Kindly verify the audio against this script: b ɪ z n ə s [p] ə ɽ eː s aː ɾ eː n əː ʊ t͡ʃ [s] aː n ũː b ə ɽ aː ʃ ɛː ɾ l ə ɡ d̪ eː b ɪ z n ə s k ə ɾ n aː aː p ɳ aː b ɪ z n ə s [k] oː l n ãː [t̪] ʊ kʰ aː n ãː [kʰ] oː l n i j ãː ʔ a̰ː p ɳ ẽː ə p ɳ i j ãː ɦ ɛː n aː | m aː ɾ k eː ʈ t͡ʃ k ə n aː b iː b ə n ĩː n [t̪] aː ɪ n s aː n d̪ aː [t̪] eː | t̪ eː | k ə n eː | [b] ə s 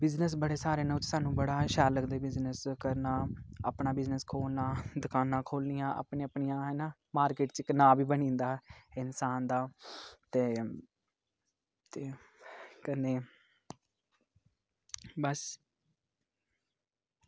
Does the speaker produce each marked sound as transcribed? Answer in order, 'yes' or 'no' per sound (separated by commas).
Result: no, yes, no, no, yes, no, yes, yes